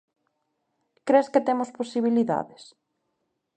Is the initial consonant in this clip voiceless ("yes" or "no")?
yes